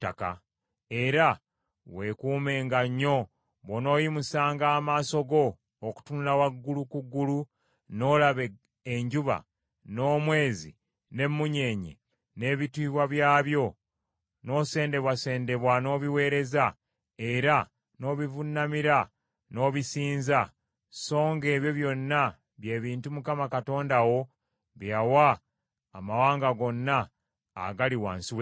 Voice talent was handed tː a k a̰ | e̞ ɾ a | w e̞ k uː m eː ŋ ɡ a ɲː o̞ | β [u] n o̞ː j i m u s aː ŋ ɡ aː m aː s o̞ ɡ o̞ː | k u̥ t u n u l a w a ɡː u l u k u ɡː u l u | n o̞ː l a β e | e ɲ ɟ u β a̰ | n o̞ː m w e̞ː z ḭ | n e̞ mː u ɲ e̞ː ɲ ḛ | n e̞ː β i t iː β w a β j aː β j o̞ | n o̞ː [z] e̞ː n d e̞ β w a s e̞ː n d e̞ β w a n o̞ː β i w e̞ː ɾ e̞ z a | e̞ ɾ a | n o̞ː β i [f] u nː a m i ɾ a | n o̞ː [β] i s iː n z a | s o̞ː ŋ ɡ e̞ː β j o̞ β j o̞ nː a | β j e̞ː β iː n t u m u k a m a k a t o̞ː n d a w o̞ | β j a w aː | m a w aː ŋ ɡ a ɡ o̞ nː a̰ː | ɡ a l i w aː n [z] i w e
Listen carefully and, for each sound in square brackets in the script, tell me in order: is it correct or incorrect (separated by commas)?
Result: incorrect, incorrect, incorrect, correct, incorrect